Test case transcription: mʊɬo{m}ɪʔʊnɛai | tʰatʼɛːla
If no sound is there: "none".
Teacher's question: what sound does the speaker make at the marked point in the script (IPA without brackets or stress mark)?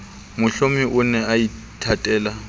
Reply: m